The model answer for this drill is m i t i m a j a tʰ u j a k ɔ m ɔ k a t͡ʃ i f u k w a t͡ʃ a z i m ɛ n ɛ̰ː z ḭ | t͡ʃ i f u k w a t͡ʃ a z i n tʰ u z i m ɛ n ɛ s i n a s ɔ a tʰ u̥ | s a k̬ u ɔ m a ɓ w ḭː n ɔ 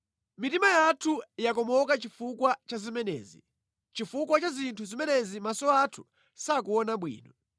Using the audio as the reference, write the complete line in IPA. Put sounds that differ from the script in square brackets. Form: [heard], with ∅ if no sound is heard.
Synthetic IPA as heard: m i t i m a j a tʰ u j a k ɔ m ɔ k a t͡ʃ i f u k w a t͡ʃ a z i m ɛ n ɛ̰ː z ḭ | t͡ʃ i f u k w a t͡ʃ a z i n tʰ u z i m ɛ n ɛ [z] i [m] a s ɔ a tʰ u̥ | s a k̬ u ɔ [n] a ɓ w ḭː n ɔ